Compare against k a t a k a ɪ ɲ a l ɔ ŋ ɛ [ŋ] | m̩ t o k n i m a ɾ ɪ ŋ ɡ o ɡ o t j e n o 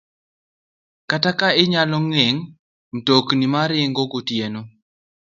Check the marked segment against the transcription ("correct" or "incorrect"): correct